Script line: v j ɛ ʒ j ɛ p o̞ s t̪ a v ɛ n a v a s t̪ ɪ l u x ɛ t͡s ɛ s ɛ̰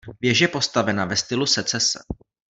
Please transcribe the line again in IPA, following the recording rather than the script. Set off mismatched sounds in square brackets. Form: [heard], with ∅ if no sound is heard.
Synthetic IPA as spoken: v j ɛ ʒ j ɛ p o̞ s t̪ a v ɛ n a v [ɛ] s t̪ ɪ l u [s] ɛ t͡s ɛ s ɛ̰

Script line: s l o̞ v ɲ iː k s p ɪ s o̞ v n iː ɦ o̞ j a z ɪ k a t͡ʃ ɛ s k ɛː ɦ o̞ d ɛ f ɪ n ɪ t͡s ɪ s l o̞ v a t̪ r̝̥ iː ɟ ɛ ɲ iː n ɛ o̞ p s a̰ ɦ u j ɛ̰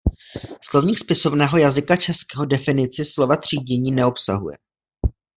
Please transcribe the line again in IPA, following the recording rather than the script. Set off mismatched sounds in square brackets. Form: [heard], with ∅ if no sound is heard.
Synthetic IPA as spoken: s l o̞ v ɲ iː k s p ɪ s o̞ v n [ɛː] ɦ o̞ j a z ɪ k a t͡ʃ ɛ s k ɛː ɦ o̞ d ɛ f ɪ n ɪ t͡s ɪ s l o̞ v a t̪ r̝̥ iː ɟ ɛ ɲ iː n ɛ o̞ p s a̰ ɦ u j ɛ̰

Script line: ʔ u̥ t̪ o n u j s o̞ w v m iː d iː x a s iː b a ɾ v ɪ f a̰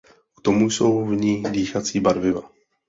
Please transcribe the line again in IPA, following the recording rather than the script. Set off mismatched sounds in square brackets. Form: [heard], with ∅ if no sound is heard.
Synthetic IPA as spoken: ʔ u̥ t̪ o [m] u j s o̞ w v [ɲ] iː d iː x a [t͡s] iː b a ɾ v ɪ [v] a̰

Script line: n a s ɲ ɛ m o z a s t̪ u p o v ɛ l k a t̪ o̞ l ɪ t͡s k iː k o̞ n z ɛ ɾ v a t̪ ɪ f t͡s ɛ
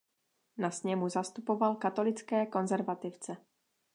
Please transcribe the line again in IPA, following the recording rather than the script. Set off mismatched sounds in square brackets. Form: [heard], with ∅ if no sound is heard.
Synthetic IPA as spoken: n a s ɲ ɛ m [u] z a s t̪ u p o v [a] l k a t̪ o̞ l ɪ t͡s k [ɛː] k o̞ n z ɛ ɾ v a t̪ ɪ f t͡s ɛ

